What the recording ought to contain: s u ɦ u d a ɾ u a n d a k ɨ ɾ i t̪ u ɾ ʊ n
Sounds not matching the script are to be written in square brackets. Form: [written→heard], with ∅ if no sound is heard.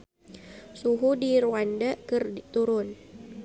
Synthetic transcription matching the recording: s u ɦ u d [a→i] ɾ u a n d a k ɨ [ɾ→r] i t̪ u ɾ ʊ n

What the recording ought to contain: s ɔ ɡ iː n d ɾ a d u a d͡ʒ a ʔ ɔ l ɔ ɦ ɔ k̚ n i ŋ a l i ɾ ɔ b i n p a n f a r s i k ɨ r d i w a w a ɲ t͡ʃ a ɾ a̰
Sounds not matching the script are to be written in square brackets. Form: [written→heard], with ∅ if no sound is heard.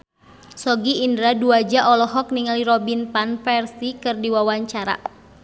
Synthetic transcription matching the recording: s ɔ ɡ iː n d ɾ a d u a d͡ʒ a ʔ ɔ l ɔ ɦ ɔ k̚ n i ŋ a l i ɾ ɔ b i n p a n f [a→ɛ] r s i k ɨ r d i w a w a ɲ t͡ʃ a ɾ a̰

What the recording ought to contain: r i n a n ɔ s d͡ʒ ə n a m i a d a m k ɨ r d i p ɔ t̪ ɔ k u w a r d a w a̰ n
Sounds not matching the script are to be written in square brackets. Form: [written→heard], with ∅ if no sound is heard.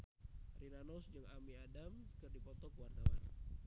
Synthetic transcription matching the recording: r i n a n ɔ s d͡ʒ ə [n→ŋ] a m i a d a m k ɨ r d i p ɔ t̪ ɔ k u w a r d a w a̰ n

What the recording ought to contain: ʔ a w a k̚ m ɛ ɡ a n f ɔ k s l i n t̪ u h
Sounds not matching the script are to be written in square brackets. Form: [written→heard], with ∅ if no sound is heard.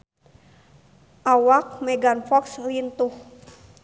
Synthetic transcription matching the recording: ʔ a w a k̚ m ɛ ɡ a n f ɔ k s l i n t̪ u h

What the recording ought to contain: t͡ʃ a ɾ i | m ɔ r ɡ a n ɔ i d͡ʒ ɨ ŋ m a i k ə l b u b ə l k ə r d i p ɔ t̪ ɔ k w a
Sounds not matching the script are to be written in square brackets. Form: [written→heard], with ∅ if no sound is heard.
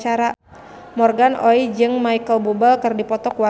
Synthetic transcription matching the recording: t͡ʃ a ɾ [i→a] | m ɔ r ɡ a n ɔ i d͡ʒ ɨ ŋ m a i k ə l b u b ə l k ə r d i p ɔ t̪ ɔ k w a

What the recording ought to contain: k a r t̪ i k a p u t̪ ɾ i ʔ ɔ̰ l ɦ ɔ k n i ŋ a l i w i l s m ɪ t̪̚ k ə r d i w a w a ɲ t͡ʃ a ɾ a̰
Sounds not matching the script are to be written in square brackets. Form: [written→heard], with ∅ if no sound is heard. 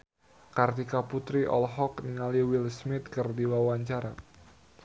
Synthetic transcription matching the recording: k a r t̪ i k a p u t̪ ɾ i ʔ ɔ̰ l ɦ ɔ k n i ŋ a l i w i l s m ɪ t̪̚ k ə r d i w a w a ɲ t͡ʃ a ɾ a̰

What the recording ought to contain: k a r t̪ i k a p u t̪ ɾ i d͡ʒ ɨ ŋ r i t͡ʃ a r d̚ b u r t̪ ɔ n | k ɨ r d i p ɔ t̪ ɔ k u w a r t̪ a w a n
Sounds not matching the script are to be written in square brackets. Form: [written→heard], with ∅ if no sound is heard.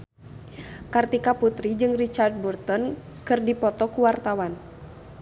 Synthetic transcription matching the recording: k a r t̪ i k a p u t̪ ɾ i d͡ʒ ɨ ŋ r i t͡ʃ a r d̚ b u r t̪ ɔ n | k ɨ r d i p ɔ t̪ ɔ k u w a r t̪ a w a n

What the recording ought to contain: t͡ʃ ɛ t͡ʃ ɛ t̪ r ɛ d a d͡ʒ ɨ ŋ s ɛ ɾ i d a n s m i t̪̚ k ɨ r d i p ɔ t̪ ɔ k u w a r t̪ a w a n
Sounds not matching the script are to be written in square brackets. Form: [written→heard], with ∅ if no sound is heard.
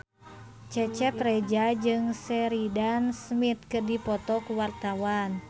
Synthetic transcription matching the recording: t͡ʃ ɛ t͡ʃ ɛ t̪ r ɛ [d→d͡ʒ] a d͡ʒ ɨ ŋ s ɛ ɾ i d a n s m i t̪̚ k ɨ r d i p ɔ t̪ ɔ k u w a r t̪ a w a n

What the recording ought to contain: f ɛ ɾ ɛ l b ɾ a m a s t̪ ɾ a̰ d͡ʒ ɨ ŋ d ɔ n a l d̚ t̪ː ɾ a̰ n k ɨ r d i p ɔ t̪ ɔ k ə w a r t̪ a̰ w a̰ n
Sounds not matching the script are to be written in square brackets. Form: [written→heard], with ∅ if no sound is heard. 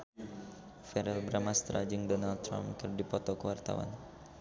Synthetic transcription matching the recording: f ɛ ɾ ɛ l b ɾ a m a s t̪ ɾ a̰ d͡ʒ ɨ ŋ d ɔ n a l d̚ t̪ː ɾ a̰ [n→m] k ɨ r d i p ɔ t̪ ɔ k ə w a r t̪ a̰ w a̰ n

